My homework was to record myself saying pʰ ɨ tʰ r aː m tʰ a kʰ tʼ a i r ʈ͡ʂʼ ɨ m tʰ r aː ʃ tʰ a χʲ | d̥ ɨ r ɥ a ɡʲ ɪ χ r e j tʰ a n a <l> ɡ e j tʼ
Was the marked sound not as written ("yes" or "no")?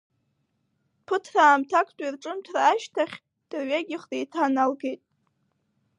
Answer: no